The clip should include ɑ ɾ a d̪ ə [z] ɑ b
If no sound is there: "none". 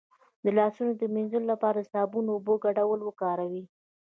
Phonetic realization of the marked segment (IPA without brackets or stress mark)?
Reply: s